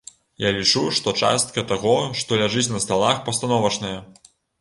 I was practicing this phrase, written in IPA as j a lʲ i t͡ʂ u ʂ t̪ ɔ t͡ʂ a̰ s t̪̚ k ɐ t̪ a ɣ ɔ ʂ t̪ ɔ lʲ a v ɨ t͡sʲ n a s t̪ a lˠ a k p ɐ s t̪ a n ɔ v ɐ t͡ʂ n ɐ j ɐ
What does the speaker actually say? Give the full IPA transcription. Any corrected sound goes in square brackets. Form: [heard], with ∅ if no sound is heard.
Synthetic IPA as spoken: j a lʲ i t͡ʂ u ʂ t̪ ɔ t͡ʂ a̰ s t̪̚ k ɐ t̪ a ɣ ɔ ʂ t̪ ɔ lʲ a [ʐ] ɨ t͡sʲ n [ɐ] s t̪ a lˠ a [x] p ɐ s t̪ a n ɔ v ɐ t͡ʂ n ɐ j ɐ